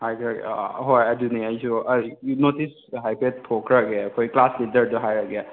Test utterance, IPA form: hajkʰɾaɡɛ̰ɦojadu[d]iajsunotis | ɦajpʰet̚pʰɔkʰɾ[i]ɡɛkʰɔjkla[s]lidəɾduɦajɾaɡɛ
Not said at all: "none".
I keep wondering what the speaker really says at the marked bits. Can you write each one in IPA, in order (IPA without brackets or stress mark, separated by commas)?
n, a, s